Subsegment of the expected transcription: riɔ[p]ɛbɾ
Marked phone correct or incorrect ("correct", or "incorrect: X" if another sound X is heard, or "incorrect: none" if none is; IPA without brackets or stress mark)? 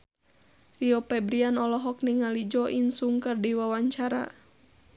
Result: correct